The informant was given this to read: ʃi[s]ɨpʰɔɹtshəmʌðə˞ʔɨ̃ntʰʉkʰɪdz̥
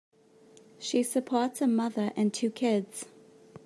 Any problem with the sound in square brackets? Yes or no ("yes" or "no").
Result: no